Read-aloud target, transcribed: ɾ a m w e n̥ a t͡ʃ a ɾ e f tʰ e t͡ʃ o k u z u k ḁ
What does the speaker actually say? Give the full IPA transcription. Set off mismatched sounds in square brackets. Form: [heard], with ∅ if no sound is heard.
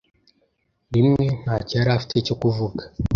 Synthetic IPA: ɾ [i] m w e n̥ a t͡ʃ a ɾ [a] f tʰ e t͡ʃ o k u [v] u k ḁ